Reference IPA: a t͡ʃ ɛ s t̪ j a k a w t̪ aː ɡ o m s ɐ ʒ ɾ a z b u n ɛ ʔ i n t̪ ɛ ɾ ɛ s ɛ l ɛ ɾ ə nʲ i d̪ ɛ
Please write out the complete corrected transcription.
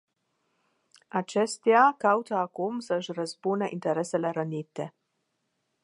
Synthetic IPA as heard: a t͡ʃ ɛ s t̪ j a k a w t̪ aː k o m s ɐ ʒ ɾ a z b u n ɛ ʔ i n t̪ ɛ ɾ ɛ s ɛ l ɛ ɾ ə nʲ i t̪ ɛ